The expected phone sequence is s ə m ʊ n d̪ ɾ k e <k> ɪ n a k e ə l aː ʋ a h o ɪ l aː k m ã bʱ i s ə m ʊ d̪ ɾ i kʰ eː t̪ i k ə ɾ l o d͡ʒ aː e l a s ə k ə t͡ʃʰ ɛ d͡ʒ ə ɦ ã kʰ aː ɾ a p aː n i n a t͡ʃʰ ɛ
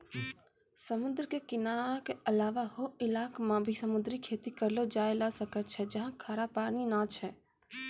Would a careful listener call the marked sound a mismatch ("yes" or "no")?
no